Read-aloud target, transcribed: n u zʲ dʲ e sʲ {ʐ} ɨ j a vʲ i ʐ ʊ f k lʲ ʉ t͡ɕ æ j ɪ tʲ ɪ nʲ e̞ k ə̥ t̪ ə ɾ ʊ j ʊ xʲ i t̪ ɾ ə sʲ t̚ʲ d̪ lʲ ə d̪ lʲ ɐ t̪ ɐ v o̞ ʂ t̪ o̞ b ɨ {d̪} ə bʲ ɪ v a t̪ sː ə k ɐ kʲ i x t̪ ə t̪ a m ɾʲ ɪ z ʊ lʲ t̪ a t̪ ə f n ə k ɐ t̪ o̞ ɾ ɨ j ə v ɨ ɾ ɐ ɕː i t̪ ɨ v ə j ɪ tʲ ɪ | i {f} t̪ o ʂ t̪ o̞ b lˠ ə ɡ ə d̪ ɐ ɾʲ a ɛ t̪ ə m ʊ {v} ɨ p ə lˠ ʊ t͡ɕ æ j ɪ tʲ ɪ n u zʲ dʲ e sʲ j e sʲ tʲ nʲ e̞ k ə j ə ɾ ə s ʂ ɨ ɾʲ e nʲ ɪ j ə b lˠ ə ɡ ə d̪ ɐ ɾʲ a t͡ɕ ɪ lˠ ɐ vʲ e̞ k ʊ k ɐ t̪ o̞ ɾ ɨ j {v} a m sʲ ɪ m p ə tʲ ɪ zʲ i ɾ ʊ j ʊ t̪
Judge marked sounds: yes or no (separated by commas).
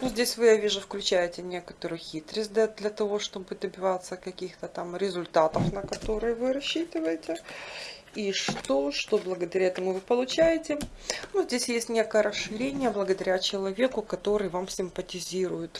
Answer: no, yes, no, yes, yes